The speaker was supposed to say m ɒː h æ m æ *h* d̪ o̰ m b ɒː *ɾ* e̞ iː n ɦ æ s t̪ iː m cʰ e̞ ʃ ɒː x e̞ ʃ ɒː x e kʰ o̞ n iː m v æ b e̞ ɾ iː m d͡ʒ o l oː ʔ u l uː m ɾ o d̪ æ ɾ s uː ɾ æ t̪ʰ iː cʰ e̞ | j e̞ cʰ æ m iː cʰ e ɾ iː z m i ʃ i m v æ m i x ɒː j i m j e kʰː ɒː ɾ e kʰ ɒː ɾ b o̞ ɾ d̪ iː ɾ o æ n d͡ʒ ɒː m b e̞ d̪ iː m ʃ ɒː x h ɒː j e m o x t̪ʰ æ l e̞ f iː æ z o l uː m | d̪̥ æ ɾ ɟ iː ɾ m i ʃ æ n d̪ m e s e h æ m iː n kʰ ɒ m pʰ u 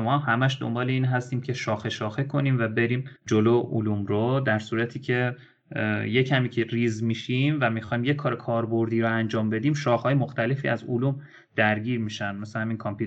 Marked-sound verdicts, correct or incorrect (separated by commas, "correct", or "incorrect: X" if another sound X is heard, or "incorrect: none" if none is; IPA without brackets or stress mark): incorrect: ʃ, incorrect: l